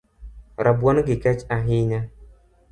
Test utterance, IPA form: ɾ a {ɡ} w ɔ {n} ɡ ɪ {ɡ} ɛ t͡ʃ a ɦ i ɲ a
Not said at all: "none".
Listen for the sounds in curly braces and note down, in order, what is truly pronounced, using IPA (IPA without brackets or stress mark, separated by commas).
b, n, k